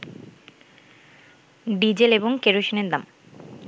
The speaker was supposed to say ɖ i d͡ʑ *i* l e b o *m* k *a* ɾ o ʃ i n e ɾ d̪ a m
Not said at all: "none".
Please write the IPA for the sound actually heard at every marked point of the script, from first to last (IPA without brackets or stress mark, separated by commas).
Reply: e, ŋ, e